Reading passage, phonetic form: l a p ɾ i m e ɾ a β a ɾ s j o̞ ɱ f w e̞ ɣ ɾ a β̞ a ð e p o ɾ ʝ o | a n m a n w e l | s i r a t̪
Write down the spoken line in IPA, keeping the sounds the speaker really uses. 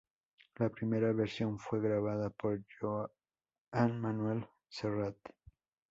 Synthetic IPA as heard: l a p ɾ i m e ɾ a β e ɾ s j o̞ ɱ f w e̞ ɣ ɾ a β̞ a ð a p o ɾ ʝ o | a n m a n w e l | s e r a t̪

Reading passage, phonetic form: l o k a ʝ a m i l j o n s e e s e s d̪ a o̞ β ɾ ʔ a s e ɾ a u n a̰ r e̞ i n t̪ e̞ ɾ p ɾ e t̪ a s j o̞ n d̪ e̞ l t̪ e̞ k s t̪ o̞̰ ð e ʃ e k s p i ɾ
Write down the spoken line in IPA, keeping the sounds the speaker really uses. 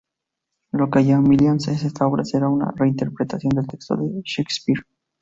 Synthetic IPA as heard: l o k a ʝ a m i l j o n s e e s e s t̪ a o̞ β ɾ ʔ a s e ɾ a u n a̰ r e̞ i n t̪ e̞ ɾ p ɾ e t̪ a s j o̞ n d̪ e̞ l t̪ e̞ k s t̪ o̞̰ ð e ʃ e k s p i ɾ

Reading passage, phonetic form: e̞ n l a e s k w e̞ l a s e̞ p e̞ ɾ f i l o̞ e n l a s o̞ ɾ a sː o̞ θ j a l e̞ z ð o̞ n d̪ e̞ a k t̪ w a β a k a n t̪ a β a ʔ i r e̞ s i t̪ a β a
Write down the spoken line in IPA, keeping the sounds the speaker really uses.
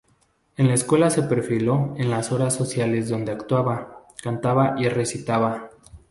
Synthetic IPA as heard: e̞ n l a e s k w e̞ l a s e̞ p e̞ ɾ f i l o̞ e n l a s o̞ ɾ a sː o̞ s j a l e̞ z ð o̞ n d̪ e̞ a k t̪ w a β a k a n t̪ a β a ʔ i r e̞ s i t̪ a β a

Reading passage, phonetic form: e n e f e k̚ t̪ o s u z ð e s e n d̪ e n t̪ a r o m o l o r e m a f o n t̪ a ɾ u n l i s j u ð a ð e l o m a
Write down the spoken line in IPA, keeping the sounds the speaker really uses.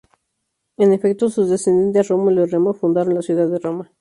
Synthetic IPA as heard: e n e f e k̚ t̪ o s u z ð e s e n d̪ e n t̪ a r o m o l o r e m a f u n d̪ a ɾ o n l a s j u ð a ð e r o m a

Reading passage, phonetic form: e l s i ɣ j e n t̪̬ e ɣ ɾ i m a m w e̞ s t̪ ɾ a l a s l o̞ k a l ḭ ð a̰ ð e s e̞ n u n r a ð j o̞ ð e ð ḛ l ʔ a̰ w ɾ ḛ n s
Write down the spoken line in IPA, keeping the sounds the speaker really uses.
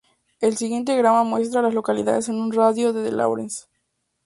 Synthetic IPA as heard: e l s i ɣ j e n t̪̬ e ɣ ɾ a m a m w e̞ s t̪ ɾ a l a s l o̞ k a l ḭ ð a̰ ð e s e̞ n u n r a ð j o̞ ð e ð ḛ l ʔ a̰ w ɾ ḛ n s

